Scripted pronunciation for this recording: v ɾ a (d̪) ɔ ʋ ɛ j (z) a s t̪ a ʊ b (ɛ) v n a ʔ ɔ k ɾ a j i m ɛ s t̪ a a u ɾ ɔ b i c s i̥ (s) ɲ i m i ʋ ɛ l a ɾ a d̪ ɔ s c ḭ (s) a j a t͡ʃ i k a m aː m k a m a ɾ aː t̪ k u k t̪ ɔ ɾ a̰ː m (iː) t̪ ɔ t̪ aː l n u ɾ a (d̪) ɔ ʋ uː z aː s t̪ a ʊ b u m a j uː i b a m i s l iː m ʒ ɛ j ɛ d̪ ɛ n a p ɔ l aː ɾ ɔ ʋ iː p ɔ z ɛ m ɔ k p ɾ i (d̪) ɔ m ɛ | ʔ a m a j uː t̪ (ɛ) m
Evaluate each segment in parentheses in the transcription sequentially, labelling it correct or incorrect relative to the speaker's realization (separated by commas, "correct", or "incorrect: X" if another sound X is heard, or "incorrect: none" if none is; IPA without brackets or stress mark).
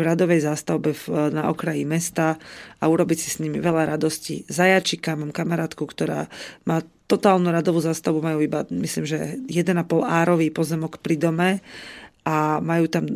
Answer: correct, correct, correct, correct, incorrect: z, incorrect: aː, correct, correct, incorrect: a